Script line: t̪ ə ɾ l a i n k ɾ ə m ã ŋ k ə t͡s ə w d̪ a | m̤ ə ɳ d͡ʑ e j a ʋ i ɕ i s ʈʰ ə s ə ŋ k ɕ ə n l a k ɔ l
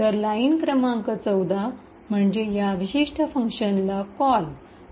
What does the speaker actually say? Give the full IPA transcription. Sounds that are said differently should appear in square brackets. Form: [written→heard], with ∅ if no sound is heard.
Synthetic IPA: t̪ ə ɾ l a i n k ɾ ə m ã ŋ k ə t͡s ə w d̪ a | m̤ ə ɳ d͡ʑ e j a ʋ i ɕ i [s→ʂ] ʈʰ ə [s→f] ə ŋ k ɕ ə n l a k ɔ l